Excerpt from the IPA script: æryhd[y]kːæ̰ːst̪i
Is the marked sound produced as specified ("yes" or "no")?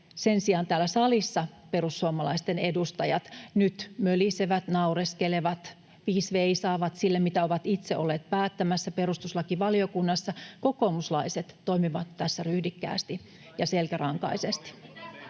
no